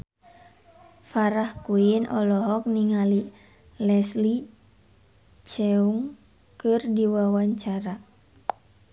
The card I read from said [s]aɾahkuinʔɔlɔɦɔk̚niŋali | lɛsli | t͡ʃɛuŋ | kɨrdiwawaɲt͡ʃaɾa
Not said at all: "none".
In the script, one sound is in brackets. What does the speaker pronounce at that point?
f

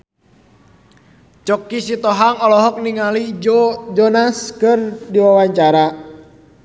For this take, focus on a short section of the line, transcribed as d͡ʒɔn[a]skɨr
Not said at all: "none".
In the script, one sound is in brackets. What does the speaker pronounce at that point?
a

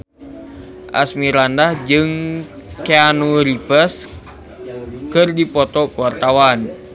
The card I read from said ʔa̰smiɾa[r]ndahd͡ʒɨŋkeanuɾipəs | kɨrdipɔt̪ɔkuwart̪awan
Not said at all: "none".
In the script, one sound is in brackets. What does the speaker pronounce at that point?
none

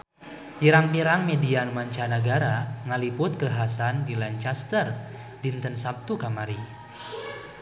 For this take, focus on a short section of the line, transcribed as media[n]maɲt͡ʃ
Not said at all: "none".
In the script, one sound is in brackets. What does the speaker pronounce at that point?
n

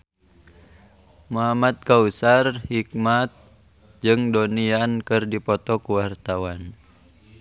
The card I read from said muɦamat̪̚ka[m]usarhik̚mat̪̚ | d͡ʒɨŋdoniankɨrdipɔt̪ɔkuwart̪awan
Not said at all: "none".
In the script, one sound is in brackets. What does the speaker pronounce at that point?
none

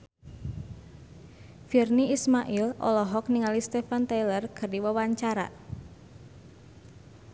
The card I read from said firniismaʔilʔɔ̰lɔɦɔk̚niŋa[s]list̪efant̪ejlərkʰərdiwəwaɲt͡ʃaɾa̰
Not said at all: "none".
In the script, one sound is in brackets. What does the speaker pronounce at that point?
none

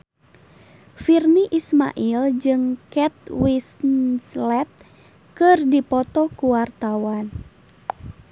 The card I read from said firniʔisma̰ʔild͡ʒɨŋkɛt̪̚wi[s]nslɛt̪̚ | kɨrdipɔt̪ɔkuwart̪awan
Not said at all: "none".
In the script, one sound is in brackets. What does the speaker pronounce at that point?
s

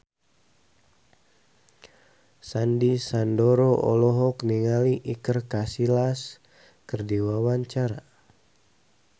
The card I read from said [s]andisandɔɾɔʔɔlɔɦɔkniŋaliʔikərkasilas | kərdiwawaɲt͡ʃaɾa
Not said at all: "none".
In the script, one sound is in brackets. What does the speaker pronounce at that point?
s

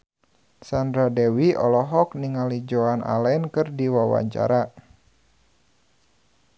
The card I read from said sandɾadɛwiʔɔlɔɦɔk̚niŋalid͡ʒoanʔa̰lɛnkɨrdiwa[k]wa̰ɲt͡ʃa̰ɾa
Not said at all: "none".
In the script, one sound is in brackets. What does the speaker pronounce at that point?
none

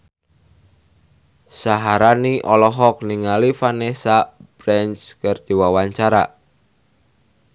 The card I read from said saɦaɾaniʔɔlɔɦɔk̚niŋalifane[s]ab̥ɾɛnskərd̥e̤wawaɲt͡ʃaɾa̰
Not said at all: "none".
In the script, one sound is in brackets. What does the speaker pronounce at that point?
s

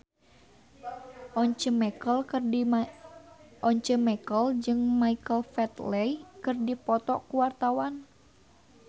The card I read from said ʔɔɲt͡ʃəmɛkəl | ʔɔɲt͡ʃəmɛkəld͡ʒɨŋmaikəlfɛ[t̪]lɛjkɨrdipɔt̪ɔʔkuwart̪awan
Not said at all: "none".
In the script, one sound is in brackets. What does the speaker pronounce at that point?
t̪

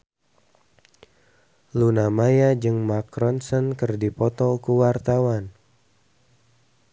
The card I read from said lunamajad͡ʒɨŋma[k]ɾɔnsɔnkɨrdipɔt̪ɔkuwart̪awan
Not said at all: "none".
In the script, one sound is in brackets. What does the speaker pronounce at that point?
k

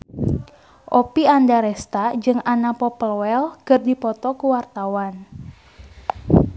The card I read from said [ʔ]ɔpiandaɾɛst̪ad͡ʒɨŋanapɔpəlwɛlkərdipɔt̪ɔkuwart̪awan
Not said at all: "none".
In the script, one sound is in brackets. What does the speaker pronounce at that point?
ʔ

